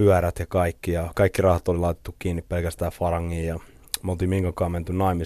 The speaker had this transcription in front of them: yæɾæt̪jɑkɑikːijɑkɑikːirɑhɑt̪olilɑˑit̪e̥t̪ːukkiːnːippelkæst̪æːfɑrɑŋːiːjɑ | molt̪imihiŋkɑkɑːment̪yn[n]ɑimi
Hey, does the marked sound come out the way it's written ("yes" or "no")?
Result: yes